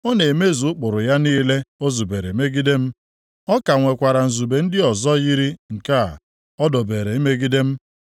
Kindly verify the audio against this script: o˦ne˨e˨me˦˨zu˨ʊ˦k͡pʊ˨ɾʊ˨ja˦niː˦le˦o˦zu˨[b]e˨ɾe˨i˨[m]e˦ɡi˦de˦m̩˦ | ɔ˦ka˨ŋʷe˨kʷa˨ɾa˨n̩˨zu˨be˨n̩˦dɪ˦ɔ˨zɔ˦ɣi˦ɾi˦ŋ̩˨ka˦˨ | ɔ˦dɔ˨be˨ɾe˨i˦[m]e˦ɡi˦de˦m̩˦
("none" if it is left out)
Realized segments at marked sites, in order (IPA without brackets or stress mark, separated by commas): b, m, m